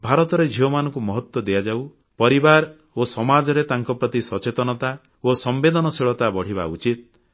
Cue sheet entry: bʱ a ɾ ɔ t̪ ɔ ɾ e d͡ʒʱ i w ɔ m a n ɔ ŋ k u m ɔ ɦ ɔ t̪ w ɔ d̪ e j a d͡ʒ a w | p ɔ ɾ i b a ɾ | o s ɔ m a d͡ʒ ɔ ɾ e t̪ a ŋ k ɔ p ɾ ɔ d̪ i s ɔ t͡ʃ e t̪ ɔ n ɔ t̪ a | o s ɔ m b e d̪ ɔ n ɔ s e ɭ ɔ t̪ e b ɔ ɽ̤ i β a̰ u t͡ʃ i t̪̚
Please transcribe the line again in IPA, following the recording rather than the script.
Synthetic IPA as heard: bʱ a ɾ ɔ t̪ ɔ ɾ e d͡ʒʱ i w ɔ m a n ɔ ŋ k u m ɔ ɦ ɔ t̪ w ɔ d̪ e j a d͡ʒ a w | p ɔ ɾ i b a ɾ | o s ɔ m a d͡ʒ ɔ ɾ e t̪ a ŋ k ɔ p ɾ ɔ t̪ i s ɔ t͡ʃ e t̪ ɔ n ɔ t̪ a | o s ɔ m b e d̪ ɔ n ɔ s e ɭ ɔ t̪ a b ɔ ɽ̤ i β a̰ u t͡ʃ i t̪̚